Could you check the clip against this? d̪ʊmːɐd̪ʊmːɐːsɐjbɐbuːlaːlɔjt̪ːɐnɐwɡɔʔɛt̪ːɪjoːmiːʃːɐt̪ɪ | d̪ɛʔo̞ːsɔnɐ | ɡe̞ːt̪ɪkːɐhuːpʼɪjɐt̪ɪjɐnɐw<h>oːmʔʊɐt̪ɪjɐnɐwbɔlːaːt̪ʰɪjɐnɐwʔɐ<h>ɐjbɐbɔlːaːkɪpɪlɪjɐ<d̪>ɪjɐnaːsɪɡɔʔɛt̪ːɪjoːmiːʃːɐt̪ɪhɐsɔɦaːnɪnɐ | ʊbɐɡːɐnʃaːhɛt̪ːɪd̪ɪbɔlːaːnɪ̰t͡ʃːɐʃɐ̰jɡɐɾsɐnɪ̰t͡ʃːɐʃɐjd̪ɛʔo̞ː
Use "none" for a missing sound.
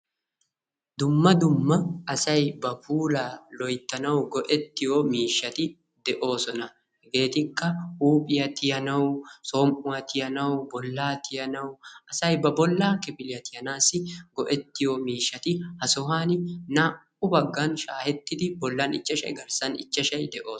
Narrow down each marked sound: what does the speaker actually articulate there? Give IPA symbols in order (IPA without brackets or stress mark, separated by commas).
s, s, t̪